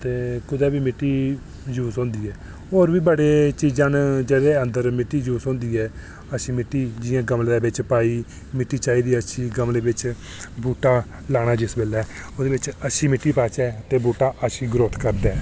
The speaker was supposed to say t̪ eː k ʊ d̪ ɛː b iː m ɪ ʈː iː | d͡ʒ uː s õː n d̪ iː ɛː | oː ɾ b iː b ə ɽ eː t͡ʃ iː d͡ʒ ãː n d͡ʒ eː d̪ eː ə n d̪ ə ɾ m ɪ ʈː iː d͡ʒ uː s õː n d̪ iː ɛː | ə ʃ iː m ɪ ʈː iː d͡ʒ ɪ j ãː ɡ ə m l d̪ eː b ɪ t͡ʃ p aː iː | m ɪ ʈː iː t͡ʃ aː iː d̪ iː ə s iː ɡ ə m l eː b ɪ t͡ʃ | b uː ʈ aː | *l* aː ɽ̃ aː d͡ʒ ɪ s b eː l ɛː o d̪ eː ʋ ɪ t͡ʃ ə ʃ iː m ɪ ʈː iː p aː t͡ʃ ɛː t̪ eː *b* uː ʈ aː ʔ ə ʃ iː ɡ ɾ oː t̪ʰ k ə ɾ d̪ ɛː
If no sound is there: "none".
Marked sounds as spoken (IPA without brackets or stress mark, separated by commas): l, b